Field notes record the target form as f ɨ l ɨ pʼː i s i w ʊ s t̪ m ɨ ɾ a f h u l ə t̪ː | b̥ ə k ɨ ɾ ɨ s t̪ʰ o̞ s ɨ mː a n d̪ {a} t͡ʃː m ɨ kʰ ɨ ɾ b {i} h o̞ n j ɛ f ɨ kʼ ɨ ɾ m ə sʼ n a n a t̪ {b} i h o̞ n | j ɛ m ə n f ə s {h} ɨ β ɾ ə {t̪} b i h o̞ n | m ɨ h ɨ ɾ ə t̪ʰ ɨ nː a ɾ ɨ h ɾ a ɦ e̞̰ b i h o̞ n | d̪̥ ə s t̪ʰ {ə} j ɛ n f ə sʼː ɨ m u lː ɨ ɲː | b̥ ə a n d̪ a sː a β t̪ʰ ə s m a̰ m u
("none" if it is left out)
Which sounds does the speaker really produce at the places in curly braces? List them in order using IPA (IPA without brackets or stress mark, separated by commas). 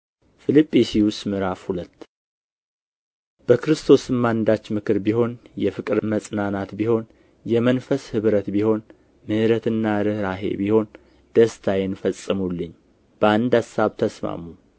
a, i, b, h, t̪, a